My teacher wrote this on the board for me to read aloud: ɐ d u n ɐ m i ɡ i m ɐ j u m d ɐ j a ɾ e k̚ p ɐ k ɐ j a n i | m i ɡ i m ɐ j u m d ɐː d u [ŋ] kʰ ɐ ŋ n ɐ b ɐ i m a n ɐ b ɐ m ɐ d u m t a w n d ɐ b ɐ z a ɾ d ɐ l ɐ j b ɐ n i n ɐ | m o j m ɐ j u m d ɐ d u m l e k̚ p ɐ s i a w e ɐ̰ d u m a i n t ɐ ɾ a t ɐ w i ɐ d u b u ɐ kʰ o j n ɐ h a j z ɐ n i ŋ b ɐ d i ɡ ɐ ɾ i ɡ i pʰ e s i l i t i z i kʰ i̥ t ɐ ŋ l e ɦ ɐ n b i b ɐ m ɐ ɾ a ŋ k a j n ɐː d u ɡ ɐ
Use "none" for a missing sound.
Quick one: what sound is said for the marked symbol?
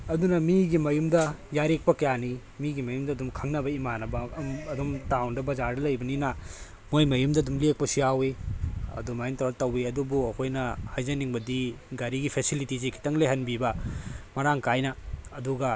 m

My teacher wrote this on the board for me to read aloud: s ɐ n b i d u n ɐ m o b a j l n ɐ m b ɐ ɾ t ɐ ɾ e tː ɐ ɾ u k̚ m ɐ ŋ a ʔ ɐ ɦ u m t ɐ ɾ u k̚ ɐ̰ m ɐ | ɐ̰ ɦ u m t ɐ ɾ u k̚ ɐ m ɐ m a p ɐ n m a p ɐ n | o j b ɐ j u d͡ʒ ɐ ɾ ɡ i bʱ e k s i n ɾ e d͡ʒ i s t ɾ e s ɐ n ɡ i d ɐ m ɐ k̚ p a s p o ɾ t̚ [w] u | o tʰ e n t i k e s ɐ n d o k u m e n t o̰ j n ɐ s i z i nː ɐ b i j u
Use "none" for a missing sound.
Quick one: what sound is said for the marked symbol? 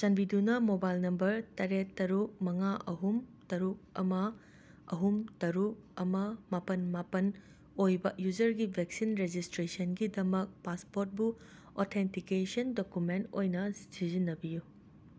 b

